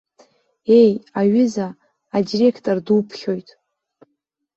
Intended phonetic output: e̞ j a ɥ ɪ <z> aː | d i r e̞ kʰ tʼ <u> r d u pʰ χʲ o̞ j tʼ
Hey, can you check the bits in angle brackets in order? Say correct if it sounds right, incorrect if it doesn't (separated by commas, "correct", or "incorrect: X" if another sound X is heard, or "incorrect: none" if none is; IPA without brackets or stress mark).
correct, incorrect: o